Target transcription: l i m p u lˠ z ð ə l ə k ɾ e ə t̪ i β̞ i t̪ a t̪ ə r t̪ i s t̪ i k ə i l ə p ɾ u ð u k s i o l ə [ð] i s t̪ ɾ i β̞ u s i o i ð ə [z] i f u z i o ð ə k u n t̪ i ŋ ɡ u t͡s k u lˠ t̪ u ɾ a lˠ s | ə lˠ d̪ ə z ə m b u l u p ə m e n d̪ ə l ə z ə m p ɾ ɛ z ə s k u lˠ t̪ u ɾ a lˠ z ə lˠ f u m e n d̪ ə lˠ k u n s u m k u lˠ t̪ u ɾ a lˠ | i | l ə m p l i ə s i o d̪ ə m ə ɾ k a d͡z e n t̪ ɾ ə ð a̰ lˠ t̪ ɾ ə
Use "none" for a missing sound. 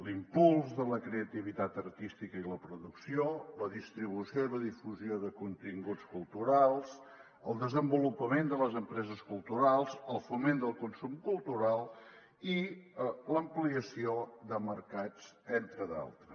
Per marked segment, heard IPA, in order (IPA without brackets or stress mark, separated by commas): ð, ð